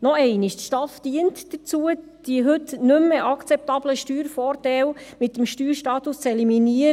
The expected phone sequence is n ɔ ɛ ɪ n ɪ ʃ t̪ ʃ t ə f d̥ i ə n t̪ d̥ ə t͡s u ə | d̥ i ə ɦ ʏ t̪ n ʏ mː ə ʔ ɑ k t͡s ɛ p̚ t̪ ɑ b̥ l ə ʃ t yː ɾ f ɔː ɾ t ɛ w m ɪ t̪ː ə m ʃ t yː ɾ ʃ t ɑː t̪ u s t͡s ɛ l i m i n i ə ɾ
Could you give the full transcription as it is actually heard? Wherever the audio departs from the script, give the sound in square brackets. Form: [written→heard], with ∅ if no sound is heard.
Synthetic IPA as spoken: n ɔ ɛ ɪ n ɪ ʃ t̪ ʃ t [ə→ɑ] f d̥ i ə n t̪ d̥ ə t͡s u ə | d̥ i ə ɦ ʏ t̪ n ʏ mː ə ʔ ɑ k t͡s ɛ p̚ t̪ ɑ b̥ l ə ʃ t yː ɾ f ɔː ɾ t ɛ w m ɪ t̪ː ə m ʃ t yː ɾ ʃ t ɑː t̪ u s t͡s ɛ l i m i n i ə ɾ